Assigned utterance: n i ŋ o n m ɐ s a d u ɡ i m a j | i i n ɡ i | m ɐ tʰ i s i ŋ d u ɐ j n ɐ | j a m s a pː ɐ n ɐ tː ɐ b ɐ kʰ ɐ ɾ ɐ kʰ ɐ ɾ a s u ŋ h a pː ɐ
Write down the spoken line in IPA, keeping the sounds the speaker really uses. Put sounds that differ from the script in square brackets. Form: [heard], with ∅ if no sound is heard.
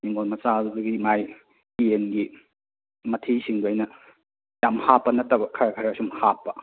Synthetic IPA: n i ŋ o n m ɐ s a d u ɡ i m a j | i [e] n ɡ i | m ɐ tʰ i s i ŋ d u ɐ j n ɐ | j a m [h] a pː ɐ n ɐ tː ɐ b ɐ kʰ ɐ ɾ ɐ kʰ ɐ ɾ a s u [m] h a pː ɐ

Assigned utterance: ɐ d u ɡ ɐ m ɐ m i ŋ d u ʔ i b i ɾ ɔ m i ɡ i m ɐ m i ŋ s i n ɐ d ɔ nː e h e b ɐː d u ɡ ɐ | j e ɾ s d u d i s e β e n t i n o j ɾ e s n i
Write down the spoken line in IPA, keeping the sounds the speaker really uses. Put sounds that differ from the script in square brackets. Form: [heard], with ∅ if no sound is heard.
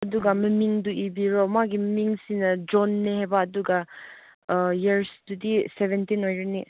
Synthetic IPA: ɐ d u ɡ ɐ m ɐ m i ŋ d u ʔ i b i ɾ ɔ m [a] ɡ i m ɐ m i ŋ s i n ɐ [d͡ʒ] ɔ nː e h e b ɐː d u ɡ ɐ | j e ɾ s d u d i s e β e n t i n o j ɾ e [∅] n i

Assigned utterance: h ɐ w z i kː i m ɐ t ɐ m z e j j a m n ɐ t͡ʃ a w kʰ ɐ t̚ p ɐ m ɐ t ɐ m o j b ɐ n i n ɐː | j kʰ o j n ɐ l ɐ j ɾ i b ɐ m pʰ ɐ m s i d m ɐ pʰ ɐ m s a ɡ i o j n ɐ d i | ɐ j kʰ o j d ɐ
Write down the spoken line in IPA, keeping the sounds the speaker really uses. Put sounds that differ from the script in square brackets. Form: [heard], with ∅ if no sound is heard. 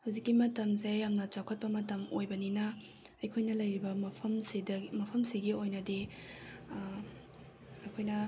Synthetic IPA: h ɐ w z i kː i m ɐ t ɐ m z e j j a m n ɐ t͡ʃ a w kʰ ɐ t̚ p ɐ m ɐ t ɐ m o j b ɐ n i n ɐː | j kʰ o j n ɐ l ɐ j ɾ i b ɐ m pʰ ɐ m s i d m ɐ pʰ ɐ m s [i] ɡ i o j n ɐ d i | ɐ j kʰ o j [n] ɐ

